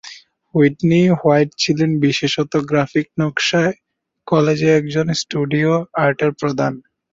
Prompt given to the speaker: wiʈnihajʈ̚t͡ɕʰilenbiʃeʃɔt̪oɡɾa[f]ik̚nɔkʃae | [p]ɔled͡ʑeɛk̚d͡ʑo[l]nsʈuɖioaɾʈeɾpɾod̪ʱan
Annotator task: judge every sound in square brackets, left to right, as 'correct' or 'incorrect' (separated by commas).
correct, incorrect, incorrect